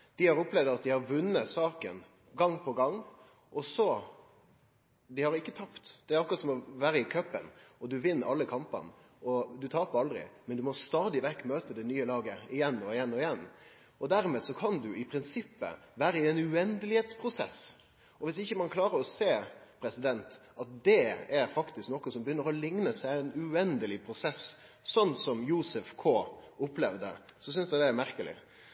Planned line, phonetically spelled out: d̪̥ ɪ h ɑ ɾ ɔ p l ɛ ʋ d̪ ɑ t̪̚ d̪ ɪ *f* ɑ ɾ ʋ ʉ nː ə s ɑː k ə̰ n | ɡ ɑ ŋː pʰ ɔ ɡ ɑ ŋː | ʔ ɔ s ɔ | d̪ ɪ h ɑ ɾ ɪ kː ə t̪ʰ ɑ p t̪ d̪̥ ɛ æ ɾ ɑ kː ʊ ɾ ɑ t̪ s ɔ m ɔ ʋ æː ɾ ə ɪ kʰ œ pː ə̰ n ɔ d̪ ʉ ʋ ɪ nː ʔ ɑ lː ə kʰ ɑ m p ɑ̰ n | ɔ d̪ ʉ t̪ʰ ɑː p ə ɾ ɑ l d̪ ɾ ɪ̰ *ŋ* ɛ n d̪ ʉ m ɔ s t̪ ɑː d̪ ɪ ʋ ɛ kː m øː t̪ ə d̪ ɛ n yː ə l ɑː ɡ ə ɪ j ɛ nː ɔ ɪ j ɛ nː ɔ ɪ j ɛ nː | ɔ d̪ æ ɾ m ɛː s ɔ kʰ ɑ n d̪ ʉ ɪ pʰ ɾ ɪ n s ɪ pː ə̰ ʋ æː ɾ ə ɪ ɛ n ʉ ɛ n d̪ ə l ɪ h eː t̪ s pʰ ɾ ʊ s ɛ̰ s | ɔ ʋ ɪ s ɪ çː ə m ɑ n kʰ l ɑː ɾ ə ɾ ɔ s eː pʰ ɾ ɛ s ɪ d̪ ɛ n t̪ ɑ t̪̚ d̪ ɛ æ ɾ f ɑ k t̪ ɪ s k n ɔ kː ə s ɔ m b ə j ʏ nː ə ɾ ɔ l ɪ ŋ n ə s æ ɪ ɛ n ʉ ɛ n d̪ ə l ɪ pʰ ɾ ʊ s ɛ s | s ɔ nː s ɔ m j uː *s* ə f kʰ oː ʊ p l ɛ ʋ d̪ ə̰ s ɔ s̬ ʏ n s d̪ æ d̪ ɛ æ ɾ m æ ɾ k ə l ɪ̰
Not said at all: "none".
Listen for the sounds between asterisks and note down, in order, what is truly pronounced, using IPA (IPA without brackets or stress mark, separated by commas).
h, m, s